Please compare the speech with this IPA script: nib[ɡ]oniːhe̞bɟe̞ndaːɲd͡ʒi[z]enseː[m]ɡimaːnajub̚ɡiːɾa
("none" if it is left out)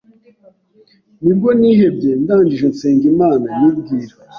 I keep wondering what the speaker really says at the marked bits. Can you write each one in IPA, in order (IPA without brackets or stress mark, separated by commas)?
ɡ, ʒ, ŋ